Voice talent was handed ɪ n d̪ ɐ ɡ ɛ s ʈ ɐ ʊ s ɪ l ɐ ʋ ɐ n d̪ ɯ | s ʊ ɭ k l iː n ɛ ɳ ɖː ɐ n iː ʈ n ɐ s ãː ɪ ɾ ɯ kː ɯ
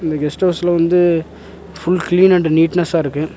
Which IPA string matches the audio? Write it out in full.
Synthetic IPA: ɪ n d̪ ɐ ɡ ɛ s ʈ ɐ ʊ s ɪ l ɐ ʋ ɐ n d̪ ɯ | f ʊ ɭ k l iː n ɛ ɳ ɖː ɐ n iː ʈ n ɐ s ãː ɪ ɾ ɯ kː ɯ